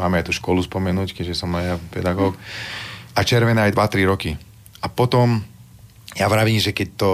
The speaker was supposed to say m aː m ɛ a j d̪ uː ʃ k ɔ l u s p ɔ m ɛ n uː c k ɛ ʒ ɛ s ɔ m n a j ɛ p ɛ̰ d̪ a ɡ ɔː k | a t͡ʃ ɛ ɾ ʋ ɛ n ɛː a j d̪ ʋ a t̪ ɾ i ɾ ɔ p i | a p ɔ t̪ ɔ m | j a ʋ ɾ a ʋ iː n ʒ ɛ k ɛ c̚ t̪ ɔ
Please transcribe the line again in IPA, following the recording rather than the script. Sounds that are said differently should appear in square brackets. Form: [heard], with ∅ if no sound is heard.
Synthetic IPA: m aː m ɛ a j [t̪] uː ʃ k ɔ l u s p ɔ m ɛ n uː c k ɛ ʒ ɛ s ɔ m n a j [a] p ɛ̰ d̪ a ɡ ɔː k | a t͡ʃ ɛ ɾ ʋ ɛ n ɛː a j d̪ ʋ a t̪ ɾ i ɾ ɔ [k] i | a p ɔ t̪ ɔ m | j a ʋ ɾ a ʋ iː [m] ʒ ɛ k ɛ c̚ t̪ ɔ